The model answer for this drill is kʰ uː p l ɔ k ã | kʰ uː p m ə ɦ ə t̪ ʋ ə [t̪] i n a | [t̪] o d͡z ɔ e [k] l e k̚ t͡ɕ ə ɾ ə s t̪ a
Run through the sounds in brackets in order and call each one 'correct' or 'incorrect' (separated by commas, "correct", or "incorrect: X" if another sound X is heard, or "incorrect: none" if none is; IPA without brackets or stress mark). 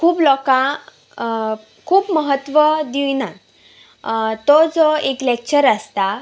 incorrect: d̪, correct, correct